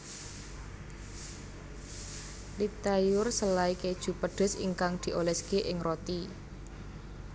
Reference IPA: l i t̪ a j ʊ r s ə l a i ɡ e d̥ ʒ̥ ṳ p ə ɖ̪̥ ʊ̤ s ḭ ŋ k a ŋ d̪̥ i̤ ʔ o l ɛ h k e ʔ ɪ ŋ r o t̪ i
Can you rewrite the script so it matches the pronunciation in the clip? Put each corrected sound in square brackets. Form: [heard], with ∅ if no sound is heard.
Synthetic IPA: l i t̪ a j ʊ r s ə l a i [k] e d̥ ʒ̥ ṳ p ə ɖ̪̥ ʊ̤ s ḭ ŋ k a ŋ d̪̥ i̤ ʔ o l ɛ [s] k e ʔ ɪ ŋ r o t̪ i